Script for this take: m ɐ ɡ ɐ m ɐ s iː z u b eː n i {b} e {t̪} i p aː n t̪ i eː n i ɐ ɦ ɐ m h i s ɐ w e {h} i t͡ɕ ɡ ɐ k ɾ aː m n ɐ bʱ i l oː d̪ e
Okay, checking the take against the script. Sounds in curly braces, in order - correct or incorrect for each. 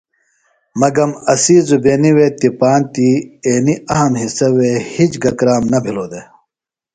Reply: incorrect, correct, correct

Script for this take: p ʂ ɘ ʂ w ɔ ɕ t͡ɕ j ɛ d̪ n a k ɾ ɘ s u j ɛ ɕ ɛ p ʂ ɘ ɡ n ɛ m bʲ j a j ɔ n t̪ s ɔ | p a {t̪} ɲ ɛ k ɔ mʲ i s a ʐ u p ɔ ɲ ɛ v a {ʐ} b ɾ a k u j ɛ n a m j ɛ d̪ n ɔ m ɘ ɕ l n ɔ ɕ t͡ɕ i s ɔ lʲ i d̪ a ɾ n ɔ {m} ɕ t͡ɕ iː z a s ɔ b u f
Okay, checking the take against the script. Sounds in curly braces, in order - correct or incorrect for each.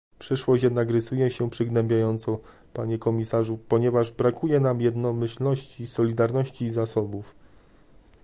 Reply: incorrect, correct, incorrect

